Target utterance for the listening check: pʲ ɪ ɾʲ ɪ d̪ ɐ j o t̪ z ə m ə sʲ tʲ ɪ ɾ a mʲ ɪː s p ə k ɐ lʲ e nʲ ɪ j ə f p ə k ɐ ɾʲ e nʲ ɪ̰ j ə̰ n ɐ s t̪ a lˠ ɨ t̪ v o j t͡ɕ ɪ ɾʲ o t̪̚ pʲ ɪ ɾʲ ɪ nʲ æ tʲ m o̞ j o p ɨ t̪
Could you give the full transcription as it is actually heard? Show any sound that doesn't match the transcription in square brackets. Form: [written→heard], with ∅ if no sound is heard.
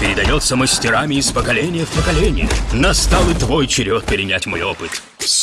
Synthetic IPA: pʲ ɪ ɾʲ ɪ d̪ ɐ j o t̪ [z→s] ə m ə sʲ tʲ ɪ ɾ a mʲ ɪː s p ə k ɐ lʲ e nʲ ɪ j ə f p ə k ɐ [ɾʲ→lʲ] e nʲ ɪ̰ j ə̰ n ɐ s t̪ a lˠ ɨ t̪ v o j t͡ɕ ɪ ɾʲ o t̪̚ pʲ ɪ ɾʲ ɪ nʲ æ tʲ m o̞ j o p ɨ t̪